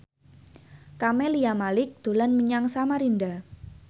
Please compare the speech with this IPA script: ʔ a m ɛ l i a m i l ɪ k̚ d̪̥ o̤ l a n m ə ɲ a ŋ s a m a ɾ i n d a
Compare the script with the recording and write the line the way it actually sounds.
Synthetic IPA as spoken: k a m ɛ l i a m a l ɪ k̚ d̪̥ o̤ l a n m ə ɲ a ŋ s a m a ɾ i n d a